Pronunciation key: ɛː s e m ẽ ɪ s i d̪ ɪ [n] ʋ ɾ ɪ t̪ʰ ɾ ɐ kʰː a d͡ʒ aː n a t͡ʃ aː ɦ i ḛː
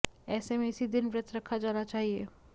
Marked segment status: correct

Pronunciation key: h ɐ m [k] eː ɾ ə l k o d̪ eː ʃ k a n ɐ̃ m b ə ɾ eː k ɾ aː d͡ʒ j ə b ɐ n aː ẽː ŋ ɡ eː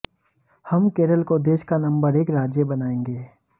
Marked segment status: correct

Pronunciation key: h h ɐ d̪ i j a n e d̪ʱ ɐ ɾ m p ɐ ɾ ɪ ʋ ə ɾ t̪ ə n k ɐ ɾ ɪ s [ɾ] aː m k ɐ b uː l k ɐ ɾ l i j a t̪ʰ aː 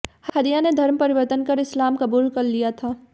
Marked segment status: incorrect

